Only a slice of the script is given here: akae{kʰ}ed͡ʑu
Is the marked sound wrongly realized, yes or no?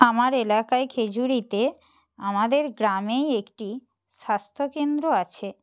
no